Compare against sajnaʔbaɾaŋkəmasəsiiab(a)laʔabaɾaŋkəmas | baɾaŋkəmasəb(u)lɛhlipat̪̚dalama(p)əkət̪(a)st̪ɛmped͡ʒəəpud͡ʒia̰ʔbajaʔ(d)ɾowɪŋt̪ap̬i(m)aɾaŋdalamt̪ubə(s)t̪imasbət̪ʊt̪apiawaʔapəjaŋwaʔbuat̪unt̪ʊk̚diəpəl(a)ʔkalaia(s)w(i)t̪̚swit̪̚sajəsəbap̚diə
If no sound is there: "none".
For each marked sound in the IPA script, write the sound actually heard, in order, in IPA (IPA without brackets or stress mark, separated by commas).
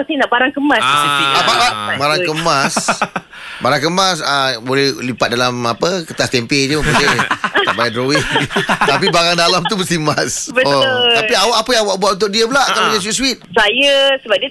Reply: a, o, p, a, d, b, s, a, s, i